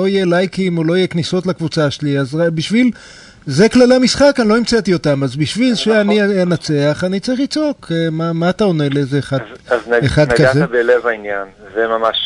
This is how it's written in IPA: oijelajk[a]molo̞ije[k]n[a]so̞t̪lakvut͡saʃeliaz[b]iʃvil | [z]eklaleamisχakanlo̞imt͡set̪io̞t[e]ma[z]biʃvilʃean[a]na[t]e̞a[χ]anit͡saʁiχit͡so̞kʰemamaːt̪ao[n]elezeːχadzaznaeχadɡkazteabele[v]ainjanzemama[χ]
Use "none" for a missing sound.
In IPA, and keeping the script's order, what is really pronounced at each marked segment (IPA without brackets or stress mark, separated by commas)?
i, k, i, b, z, a, z, i, t͡s, χ, n, v, ʃ